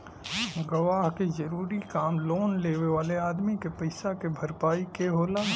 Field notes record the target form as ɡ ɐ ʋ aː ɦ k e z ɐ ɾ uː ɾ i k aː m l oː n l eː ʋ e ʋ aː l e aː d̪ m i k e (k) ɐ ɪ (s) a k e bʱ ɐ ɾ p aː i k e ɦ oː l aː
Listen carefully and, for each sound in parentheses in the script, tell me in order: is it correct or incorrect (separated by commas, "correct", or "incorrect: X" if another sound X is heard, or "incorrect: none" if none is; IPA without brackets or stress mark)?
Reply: incorrect: p, correct